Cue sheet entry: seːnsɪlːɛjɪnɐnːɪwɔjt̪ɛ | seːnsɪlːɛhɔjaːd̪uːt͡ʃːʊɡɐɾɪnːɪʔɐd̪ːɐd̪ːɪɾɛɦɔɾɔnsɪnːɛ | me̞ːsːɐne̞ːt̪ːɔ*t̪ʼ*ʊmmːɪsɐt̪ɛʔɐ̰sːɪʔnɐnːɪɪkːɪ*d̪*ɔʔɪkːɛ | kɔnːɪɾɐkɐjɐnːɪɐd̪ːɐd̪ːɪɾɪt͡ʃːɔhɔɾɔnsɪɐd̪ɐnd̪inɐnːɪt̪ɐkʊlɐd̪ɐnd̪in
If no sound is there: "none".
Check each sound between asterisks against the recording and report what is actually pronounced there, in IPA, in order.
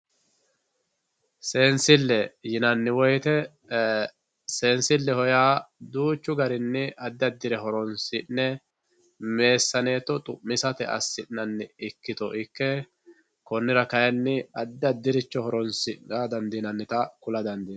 t̪ʼ, t̪

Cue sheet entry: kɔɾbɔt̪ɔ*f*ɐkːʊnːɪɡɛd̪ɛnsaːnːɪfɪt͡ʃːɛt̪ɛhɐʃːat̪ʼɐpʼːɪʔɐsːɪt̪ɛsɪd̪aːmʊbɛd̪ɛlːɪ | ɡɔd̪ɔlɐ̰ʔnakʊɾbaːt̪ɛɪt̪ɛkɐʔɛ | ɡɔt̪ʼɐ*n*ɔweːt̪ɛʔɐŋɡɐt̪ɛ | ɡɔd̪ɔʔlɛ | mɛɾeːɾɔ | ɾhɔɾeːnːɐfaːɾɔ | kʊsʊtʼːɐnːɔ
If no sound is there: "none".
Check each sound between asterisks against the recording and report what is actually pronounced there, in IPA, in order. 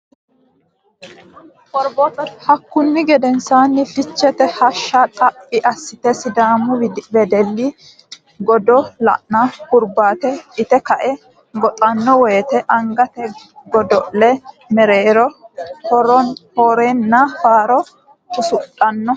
h, nː

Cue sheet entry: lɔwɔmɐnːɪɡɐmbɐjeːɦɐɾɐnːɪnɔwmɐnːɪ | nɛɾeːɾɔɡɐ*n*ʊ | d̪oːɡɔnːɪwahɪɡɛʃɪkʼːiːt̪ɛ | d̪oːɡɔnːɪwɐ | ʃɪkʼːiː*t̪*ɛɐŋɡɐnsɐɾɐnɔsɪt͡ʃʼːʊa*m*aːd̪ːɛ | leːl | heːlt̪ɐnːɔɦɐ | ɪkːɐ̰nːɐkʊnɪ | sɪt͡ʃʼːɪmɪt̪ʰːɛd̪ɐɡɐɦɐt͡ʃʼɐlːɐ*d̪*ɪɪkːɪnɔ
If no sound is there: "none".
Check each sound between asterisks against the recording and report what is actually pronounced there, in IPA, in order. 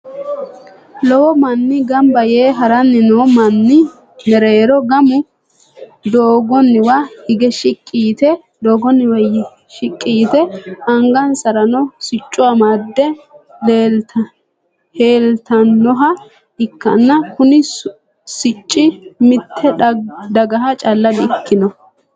m, t̪, m, d̪

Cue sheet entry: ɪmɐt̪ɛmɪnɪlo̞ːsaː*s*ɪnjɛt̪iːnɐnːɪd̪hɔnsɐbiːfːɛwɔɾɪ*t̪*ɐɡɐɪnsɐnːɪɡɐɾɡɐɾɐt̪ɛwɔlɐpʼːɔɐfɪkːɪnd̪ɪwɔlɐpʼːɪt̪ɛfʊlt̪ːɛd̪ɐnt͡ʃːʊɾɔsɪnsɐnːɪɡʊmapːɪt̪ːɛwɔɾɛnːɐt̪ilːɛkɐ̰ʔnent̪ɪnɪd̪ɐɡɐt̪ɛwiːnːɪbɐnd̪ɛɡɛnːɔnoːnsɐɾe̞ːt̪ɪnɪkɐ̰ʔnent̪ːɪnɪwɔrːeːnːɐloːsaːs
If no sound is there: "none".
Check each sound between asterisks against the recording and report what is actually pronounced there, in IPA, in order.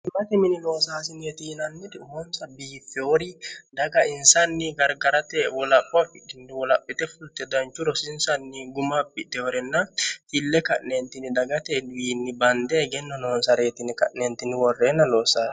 s, d̪

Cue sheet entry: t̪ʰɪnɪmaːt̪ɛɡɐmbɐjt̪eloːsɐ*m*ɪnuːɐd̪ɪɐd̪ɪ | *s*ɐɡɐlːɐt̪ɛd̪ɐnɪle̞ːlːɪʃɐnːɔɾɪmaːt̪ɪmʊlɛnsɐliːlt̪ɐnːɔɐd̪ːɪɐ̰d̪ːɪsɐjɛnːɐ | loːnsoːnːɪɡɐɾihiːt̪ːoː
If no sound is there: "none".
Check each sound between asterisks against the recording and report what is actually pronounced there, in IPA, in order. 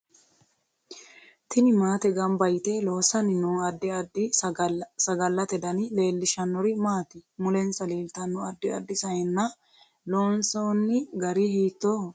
n, s

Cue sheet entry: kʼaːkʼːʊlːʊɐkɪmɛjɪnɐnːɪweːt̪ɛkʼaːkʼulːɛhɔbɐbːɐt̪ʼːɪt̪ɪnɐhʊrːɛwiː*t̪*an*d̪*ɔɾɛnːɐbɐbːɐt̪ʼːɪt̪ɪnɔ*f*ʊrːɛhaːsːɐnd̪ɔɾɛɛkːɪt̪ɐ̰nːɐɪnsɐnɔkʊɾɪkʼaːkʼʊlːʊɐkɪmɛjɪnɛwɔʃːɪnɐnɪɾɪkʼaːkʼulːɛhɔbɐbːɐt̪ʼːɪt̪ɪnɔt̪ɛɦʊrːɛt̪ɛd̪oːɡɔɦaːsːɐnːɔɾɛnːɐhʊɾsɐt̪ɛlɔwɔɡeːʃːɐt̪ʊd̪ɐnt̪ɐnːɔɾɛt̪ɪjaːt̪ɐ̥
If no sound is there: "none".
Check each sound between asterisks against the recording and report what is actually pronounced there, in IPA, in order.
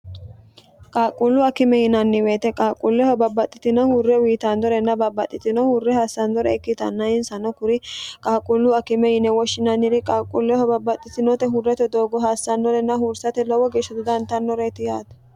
t̪, d̪, h

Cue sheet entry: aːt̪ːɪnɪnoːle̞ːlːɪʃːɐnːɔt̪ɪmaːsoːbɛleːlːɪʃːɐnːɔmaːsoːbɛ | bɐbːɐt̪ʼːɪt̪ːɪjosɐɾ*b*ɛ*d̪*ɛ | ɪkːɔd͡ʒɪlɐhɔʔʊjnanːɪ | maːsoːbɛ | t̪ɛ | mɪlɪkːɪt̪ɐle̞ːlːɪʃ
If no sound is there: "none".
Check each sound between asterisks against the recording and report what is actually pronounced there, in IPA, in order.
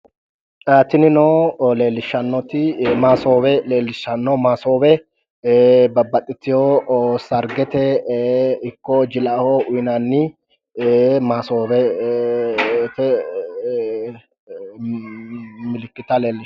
ɡ, t̪

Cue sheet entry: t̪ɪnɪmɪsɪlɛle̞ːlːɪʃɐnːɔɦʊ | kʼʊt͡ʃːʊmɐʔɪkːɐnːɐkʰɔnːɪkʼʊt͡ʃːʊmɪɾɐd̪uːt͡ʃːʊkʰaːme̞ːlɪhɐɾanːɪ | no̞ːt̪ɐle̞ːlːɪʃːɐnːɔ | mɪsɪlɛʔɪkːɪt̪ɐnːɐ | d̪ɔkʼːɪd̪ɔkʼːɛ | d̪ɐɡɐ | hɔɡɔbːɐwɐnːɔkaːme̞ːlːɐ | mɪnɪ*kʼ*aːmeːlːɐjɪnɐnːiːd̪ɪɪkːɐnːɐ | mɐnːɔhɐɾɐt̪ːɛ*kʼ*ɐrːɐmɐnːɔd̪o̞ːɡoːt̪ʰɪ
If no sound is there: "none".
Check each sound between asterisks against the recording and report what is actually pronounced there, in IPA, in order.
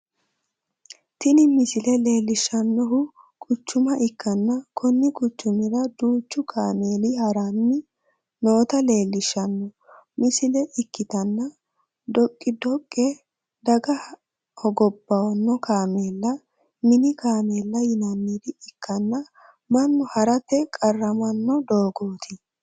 k, kʼ

